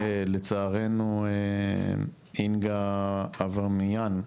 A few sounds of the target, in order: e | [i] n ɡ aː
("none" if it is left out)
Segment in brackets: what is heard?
i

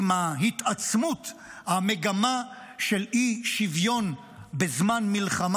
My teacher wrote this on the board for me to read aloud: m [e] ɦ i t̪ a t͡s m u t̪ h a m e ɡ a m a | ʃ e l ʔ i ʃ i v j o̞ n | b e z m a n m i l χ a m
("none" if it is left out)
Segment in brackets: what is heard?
a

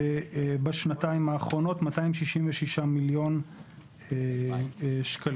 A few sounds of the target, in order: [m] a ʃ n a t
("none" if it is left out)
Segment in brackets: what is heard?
b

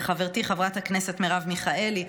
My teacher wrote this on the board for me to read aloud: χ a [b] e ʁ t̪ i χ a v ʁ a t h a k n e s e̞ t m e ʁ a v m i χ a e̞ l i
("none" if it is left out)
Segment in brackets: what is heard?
v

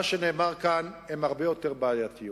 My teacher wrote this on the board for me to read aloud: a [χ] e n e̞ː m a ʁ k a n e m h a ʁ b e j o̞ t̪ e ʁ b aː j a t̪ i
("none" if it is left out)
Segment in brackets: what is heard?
ʃ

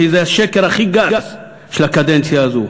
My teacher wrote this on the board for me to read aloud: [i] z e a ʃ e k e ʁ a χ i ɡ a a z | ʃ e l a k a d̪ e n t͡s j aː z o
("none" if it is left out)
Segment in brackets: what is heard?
i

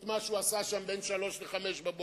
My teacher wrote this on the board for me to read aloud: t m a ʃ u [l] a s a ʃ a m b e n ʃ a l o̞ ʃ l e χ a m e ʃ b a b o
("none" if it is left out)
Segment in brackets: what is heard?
none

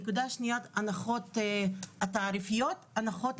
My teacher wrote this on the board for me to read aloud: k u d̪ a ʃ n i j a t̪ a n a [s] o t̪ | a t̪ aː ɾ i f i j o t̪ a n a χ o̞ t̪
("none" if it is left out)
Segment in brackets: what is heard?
χ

